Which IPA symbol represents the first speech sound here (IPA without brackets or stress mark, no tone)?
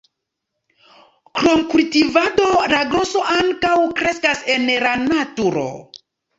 k